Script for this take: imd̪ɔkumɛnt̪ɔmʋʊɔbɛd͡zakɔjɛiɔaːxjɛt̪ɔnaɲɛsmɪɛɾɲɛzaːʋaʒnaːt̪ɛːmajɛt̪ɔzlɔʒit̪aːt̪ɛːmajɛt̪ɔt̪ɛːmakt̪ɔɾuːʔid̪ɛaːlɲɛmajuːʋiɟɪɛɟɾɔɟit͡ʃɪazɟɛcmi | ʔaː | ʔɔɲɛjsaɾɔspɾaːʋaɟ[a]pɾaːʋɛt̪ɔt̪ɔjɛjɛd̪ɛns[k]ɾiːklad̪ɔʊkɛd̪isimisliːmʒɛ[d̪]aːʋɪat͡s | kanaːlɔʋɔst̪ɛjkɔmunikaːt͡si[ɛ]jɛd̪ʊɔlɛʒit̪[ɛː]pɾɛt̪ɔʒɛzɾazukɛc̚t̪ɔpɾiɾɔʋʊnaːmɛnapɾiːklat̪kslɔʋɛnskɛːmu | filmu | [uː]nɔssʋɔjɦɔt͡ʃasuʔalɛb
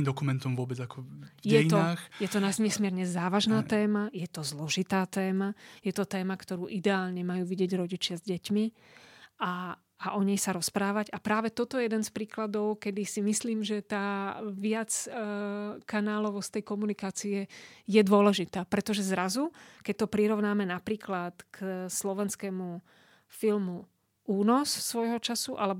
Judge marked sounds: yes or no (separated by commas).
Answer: yes, no, no, yes, no, yes